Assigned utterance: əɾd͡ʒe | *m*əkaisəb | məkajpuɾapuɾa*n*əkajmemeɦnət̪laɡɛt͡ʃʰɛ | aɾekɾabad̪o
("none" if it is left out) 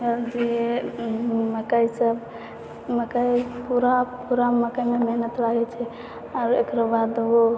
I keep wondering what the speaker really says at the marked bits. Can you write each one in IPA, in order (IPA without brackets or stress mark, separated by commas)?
m, m